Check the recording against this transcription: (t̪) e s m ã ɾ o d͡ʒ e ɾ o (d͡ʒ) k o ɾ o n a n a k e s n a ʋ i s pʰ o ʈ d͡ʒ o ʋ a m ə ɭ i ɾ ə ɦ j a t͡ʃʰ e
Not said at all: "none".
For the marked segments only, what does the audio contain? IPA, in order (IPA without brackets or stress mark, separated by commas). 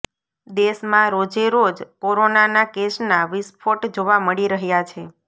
d̪, d͡ʒ